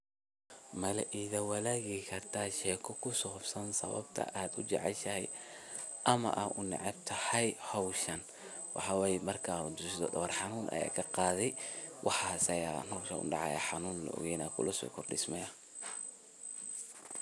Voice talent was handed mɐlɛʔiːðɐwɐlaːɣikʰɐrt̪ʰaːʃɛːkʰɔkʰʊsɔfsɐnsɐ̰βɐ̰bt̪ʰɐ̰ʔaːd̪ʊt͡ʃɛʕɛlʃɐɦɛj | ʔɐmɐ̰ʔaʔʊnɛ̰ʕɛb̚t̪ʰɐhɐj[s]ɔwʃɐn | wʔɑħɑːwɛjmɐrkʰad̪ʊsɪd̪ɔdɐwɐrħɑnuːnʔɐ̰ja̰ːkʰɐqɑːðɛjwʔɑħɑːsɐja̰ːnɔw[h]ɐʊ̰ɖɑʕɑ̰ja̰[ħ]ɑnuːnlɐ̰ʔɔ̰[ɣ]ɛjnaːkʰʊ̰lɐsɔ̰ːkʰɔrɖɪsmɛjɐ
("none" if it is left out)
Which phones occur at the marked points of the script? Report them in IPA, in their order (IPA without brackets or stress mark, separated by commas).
h, ʃ, ħ, ɣ